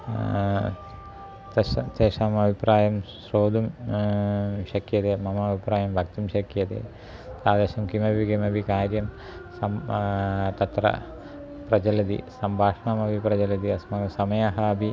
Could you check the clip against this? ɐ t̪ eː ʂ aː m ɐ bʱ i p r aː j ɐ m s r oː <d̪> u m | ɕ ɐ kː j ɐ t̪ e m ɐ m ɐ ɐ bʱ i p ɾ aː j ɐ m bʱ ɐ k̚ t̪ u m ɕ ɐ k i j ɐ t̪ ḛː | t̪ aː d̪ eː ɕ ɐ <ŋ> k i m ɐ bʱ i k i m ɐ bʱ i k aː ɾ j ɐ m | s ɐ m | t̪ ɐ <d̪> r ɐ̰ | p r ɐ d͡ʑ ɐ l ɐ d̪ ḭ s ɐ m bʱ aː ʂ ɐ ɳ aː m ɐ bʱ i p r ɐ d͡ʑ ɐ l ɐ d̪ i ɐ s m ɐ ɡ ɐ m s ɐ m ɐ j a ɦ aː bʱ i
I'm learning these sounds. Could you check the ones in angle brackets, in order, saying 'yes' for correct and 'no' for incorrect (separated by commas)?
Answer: yes, no, no